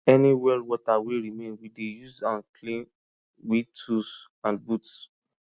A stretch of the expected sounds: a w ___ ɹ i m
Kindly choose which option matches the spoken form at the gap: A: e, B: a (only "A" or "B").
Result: A